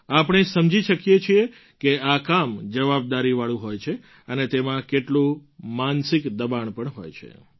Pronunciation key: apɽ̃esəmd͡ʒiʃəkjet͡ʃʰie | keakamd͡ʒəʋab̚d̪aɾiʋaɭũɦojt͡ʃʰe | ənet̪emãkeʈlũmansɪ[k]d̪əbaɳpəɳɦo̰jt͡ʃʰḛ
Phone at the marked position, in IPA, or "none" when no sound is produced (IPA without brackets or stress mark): k